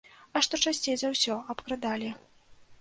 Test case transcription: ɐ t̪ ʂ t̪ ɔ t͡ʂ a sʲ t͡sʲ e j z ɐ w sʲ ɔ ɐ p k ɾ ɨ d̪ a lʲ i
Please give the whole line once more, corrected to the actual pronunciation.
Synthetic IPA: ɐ ʂ t̪ ɔ t͡ʂ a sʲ t͡sʲ e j z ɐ w sʲ ɔ ɐ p k ɾ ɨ d̪ a lʲ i